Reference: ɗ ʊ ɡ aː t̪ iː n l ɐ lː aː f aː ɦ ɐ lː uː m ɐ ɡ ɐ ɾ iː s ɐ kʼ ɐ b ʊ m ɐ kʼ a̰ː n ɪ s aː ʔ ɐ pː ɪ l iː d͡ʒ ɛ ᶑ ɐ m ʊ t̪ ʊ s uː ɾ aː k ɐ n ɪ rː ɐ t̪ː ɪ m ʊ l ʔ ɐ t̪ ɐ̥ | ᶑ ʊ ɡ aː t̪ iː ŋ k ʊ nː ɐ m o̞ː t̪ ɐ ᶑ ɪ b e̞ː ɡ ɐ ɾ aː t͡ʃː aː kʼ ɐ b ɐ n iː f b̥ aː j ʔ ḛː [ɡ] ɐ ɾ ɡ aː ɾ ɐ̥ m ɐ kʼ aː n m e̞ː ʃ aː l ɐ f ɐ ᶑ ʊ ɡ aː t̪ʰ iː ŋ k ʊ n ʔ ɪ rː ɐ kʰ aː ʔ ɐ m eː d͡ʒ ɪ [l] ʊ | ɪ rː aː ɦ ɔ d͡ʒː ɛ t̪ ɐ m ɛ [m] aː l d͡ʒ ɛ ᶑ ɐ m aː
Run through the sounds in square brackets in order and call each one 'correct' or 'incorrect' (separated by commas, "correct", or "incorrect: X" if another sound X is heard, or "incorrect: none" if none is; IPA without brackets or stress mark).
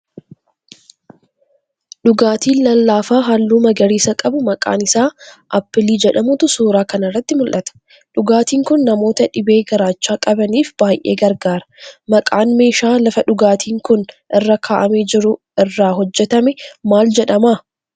correct, incorrect: ɾ, correct